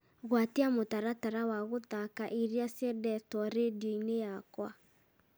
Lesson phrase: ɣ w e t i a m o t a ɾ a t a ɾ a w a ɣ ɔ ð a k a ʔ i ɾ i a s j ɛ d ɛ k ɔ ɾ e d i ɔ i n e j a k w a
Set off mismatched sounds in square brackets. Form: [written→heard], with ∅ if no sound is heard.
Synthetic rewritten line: ɣ w [e→a] t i a m o t a ɾ a t a ɾ a w a ɣ [ɔ→o] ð a k a ʔ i ɾ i a s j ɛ d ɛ [k→t] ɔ ɾ e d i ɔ i n e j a k w a

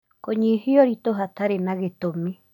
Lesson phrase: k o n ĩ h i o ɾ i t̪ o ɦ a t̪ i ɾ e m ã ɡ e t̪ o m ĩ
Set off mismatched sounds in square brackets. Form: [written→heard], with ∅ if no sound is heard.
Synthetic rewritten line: k o [n→ɲ] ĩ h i o ɾ i t̪ o ɦ a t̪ [i→a] ɾ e [m→n] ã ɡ e t̪ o m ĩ

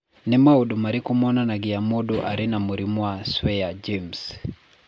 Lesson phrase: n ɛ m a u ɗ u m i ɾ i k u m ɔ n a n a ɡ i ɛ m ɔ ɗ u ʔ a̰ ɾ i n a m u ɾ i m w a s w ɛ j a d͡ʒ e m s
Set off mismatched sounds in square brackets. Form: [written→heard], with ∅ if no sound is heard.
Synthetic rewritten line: n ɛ m a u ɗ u m [i→a] ɾ i k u m ɔ n a n a ɡ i [ɛ→a] m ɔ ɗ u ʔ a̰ ɾ i n a m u ɾ i m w a s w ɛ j a d͡ʒ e m s

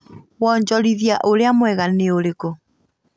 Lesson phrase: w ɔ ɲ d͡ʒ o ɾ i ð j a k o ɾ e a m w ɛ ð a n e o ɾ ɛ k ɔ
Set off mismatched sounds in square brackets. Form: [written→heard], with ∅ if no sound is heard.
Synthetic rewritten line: w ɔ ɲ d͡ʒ [o→ɔ] ɾ i ð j a [k→ʔ] o ɾ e a m w ɛ [ð→ɣ] a n e o ɾ [ɛ→e] k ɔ

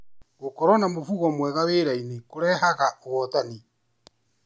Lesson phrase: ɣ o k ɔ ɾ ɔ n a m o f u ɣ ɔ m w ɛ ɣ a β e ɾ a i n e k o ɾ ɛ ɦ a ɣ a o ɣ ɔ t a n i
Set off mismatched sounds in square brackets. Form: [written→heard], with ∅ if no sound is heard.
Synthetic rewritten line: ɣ o k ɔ ɾ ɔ n a m o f u ɣ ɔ m w ɛ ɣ a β e ɾ a i n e k o ɾ ɛ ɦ a ɣ a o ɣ ɔ t a n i

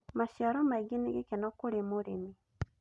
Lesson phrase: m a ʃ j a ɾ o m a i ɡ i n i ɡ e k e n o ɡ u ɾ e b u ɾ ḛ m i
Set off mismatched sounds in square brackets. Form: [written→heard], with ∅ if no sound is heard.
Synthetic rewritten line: m a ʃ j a ɾ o m a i ɡ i n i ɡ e k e n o [ɡ→k] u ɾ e [b→m] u ɾ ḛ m i

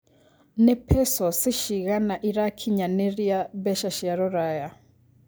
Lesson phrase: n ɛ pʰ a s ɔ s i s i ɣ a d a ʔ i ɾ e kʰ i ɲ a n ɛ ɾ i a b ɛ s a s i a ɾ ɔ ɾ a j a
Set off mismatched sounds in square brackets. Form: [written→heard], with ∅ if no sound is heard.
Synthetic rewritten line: n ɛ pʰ [a→ɛ] s ɔ s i [s→ʃ] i ɣ a [d→n] a ʔ i ɾ [e→a] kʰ i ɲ a n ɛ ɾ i a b ɛ [s→ʃ] a [s→ʃ] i a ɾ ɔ ɾ a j a

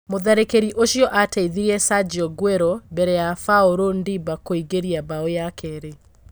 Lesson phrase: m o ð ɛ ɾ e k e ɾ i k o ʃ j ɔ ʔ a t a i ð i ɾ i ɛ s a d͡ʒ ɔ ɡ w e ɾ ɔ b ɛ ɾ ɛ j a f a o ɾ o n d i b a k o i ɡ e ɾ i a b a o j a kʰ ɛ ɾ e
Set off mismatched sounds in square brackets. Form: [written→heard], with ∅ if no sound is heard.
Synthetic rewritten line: m o ð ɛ ɾ e k e ɾ i [k→ʔ] o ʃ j ɔ ʔ a t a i ð i ɾ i ɛ s a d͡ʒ ɔ ɡ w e ɾ ɔ b ɛ ɾ ɛ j a f a o ɾ o n d i b a k o i ɡ e ɾ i a b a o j a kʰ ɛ ɾ e

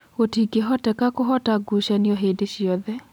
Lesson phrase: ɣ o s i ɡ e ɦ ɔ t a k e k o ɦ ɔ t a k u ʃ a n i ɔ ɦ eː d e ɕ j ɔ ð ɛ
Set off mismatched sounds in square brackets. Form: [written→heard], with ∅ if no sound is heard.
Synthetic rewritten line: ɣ o [s→t] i ɡ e ɦ ɔ t [a→ɛ] k [e→a] k o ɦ ɔ t a [k→ɡ] u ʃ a n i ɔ ɦ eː d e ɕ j ɔ ð ɛ

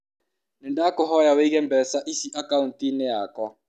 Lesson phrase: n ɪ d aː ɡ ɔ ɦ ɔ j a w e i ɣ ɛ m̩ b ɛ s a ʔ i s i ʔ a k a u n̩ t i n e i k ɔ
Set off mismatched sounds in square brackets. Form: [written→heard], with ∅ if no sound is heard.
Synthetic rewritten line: n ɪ d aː [ɡ→k] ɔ ɦ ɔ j a w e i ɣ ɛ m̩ b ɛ s a ʔ i s i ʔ a k a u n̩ t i n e [i→a] k ɔ

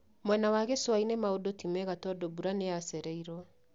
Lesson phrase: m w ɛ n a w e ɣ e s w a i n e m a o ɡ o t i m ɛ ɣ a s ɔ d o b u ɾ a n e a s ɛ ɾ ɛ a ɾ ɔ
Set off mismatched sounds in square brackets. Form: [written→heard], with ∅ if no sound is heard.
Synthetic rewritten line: m w ɛ n a w [e→a] ɣ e s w a i n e m a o [ɡ→d] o t i m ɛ ɣ a [s→t] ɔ d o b u ɾ a n e a s ɛ ɾ ɛ [a→i] ɾ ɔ

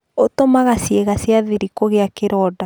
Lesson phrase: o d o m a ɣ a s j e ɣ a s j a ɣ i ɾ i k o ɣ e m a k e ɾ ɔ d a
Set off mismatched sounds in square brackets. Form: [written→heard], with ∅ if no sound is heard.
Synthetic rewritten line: o [d→t] o m a ɣ a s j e ɣ a s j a [ɣ→ð] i ɾ i k o ɣ e [m→∅] a k e ɾ ɔ d a

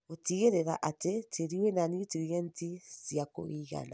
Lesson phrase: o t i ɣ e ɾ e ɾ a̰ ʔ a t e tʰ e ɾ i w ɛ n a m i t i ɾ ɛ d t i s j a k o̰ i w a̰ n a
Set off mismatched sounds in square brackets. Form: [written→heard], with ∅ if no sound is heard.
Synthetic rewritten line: o t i ɣ e ɾ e ɾ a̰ ʔ a t e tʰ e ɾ i w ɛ n a [m→n] i t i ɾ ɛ [d→n] t i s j a k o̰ i [w→ɣ] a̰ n a

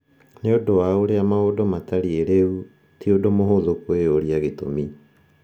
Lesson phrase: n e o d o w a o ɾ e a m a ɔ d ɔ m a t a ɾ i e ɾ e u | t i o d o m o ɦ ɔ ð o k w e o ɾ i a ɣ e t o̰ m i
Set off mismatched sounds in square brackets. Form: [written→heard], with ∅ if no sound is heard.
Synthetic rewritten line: n e o d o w a o ɾ e a m a [ɔ→o] d ɔ m a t a ɾ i e ɾ e u | t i o d o m o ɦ [ɔ→o] ð o k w e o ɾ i a ɣ e t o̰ m i

